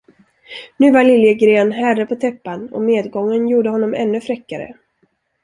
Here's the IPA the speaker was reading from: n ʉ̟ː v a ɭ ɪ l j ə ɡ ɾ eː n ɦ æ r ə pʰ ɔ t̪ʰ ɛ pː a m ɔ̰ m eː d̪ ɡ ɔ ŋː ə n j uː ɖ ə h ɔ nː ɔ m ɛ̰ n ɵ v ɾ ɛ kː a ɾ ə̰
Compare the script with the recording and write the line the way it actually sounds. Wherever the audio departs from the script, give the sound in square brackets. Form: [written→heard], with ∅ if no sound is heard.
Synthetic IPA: n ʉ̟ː v a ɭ ɪ l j ə ɡ ɾ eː n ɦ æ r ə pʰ ɔ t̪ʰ ɛ pː a [m→n] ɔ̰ m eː d̪ ɡ ɔ ŋː ə n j uː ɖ ə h ɔ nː ɔ m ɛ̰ [n→nː] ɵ [v→f] ɾ ɛ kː a ɾ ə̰